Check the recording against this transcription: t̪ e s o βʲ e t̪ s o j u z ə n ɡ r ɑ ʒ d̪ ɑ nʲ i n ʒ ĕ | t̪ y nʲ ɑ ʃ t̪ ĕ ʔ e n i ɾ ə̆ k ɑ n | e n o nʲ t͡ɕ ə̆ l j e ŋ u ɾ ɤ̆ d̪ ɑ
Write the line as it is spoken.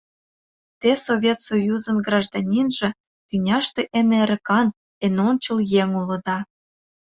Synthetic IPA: t̪ e s o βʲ e t̪ s o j u z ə n ɡ r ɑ ʒ d̪ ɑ nʲ i n ʒ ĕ | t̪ y nʲ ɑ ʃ t̪ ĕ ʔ e n e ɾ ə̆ k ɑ n | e n o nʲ t͡ɕ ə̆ l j e ŋ u l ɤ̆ d̪ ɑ